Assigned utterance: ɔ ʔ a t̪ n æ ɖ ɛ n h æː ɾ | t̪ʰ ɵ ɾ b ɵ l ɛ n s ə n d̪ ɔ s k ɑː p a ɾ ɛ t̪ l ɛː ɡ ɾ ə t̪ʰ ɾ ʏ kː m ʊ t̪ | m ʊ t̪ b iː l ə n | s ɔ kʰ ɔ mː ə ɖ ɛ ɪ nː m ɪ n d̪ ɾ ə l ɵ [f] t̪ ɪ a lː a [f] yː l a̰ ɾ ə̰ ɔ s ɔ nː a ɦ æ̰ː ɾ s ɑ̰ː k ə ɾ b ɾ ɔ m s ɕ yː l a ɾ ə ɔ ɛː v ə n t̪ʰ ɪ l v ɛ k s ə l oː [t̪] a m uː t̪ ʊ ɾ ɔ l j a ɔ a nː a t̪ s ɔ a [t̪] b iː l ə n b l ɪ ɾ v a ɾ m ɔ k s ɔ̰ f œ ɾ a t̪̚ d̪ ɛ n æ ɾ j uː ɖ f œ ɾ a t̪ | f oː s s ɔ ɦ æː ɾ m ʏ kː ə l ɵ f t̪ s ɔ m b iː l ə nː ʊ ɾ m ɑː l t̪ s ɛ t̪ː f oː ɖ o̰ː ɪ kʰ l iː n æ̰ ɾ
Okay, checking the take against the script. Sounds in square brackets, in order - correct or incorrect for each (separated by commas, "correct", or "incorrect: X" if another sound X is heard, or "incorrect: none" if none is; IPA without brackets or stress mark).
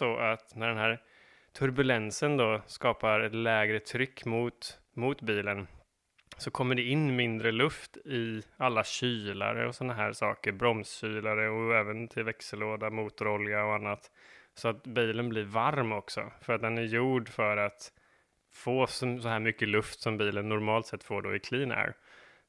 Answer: correct, incorrect: ɕ, incorrect: d̪, correct